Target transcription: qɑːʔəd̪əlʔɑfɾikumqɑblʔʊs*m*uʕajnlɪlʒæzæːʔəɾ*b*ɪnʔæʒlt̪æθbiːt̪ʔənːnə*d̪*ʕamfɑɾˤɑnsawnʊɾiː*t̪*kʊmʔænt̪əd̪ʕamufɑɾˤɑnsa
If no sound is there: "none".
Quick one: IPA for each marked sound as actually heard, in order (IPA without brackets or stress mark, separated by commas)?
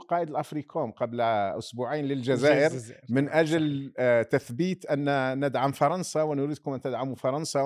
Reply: b, m, d̪, d̪